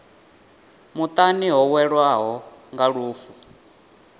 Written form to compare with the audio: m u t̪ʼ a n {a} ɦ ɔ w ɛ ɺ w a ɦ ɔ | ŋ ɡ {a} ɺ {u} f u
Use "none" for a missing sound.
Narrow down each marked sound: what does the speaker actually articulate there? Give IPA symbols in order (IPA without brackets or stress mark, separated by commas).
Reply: i, a, uː